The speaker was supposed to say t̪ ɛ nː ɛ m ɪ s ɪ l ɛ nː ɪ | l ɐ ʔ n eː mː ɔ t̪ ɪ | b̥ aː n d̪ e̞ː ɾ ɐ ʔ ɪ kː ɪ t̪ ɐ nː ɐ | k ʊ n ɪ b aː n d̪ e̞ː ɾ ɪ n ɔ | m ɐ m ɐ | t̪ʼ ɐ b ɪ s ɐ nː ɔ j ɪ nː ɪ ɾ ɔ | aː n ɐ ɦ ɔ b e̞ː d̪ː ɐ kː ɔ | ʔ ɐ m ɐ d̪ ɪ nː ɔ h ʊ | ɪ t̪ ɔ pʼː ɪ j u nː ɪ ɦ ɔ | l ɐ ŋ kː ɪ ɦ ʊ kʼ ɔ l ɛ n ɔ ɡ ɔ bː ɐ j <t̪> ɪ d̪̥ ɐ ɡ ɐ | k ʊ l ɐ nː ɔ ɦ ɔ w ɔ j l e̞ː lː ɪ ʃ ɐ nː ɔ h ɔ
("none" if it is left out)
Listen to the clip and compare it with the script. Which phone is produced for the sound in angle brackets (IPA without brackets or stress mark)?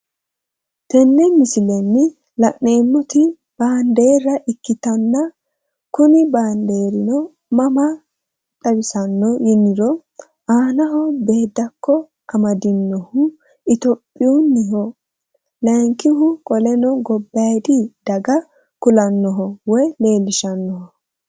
d̪